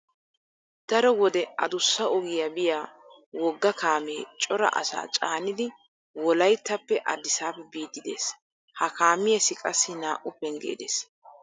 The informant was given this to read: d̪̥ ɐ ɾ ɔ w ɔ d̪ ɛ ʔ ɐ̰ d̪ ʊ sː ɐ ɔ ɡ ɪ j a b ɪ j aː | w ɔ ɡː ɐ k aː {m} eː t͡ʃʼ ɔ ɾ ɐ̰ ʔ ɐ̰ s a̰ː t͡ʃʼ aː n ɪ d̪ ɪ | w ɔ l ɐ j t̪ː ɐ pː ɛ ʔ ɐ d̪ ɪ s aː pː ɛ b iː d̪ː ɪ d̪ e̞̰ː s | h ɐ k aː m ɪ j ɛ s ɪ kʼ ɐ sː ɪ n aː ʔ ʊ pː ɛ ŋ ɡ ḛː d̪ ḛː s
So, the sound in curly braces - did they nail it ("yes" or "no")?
yes